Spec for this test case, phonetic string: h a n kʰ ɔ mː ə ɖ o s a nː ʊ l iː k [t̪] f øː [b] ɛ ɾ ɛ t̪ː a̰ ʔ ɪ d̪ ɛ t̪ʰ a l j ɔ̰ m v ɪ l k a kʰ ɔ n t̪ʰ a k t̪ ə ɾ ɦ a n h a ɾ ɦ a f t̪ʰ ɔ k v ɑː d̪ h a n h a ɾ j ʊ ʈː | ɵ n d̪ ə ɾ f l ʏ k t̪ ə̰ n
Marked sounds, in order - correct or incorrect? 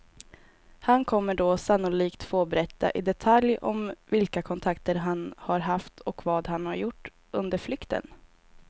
correct, correct

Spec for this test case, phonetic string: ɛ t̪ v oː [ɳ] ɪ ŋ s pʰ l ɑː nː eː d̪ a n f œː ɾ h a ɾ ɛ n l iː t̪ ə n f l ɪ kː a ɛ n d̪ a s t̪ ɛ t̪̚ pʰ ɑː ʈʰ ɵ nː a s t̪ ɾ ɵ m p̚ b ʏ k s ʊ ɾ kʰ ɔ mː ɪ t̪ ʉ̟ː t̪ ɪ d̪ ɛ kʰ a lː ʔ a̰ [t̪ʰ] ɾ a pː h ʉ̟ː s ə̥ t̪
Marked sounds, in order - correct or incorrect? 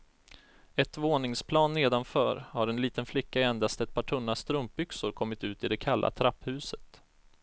incorrect, correct

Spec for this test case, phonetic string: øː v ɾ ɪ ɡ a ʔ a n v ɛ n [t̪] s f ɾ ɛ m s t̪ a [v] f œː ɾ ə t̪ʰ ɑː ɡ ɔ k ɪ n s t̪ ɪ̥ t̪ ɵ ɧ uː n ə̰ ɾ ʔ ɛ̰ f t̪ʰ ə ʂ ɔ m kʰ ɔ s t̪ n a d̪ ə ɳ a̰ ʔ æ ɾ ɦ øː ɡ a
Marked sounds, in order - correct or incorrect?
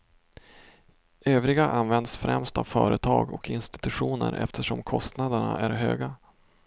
incorrect, correct

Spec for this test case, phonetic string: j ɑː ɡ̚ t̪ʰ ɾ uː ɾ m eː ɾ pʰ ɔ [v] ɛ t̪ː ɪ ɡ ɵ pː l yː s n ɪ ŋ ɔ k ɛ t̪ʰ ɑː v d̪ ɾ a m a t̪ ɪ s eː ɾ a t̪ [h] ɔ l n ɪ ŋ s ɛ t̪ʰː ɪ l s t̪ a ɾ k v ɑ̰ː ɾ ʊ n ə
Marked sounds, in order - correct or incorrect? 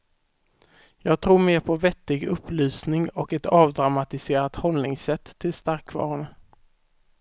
correct, correct

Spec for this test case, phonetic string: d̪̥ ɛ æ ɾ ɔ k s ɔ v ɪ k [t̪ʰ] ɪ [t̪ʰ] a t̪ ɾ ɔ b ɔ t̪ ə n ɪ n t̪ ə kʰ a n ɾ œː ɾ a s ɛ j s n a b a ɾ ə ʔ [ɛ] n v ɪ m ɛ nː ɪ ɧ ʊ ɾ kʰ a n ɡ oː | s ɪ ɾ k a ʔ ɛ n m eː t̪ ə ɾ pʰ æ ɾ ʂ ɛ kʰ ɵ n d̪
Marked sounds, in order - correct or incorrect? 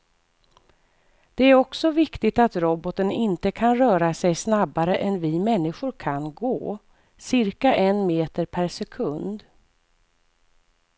incorrect, incorrect, correct

